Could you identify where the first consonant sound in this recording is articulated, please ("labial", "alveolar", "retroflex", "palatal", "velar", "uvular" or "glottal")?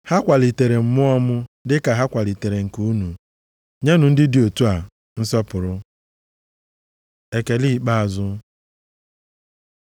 glottal